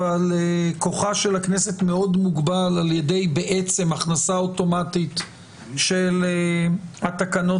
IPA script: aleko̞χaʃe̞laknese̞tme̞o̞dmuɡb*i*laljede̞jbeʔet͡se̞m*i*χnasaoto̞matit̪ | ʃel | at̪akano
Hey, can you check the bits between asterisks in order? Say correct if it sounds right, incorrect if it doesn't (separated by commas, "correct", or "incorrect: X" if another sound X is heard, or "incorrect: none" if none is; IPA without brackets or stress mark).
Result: incorrect: a, incorrect: a